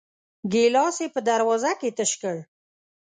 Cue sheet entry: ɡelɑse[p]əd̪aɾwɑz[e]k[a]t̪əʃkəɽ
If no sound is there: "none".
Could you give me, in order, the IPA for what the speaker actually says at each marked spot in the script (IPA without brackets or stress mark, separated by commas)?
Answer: p, a, e